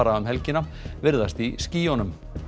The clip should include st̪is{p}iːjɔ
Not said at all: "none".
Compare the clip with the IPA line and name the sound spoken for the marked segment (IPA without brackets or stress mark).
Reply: c